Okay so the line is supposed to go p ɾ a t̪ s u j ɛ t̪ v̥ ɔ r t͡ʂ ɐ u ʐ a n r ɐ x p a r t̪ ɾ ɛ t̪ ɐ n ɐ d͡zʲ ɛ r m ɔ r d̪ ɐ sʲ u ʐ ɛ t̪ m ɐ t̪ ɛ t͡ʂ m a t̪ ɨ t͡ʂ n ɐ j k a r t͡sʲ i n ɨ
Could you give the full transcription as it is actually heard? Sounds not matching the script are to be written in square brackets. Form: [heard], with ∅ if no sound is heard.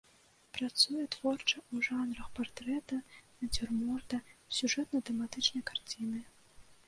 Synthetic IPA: p ɾ a t̪ s u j ɛ t̪ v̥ ɔ r t͡ʂ ɐ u ʐ a n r ɐ x p a r t̪ ɾ ɛ t̪ ɐ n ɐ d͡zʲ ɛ r m ɔ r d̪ ɐ sʲ u ʐ ɛ t̪ [n] ɐ t̪ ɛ [∅] m a t̪ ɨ t͡ʂ n ɐ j k a r t͡sʲ i n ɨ